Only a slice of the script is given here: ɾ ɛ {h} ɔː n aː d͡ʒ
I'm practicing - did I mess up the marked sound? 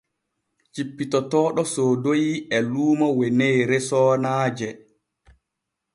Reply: yes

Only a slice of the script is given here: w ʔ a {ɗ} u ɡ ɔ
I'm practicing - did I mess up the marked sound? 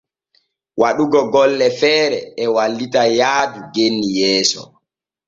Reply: no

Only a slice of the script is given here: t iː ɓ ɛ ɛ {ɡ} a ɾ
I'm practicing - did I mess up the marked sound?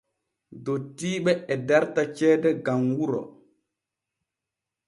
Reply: yes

